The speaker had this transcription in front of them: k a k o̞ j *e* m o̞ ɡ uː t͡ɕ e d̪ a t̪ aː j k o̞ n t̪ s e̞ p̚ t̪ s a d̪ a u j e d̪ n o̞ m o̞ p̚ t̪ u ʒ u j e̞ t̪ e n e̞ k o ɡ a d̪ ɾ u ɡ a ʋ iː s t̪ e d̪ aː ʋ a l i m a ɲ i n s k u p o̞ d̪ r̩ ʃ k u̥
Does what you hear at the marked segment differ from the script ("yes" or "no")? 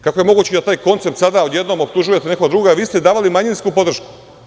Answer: no